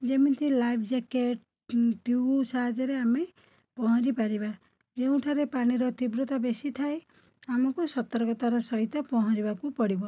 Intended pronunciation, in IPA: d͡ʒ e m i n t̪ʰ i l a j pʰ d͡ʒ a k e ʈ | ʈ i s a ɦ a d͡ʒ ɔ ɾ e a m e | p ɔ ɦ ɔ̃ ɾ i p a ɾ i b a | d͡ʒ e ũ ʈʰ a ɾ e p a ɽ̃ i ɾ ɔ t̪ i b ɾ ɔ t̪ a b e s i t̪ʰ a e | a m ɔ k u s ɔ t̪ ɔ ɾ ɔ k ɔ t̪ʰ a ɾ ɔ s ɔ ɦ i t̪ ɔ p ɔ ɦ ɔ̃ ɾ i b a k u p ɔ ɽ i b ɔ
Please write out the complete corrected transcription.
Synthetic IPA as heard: d͡ʒ e m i n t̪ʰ i l a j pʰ d͡ʒ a k e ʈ | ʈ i s a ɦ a d͡ʒ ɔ ɾ e a m e | p ɔ ɦ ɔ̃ ɾ i p a ɾ i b a | d͡ʒ e ũ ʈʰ a ɾ e p a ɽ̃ i ɾ ɔ t̪ i b ɾ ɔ t̪ a b e s i t̪ʰ a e | a m ɔ k u s ɔ t̪ ɔ ɾ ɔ k ɔ t̪ a ɾ ɔ s ɔ ɦ i t̪ ɔ p ɔ ɦ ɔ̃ ɾ i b a k u p ɔ ɽ i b ɔ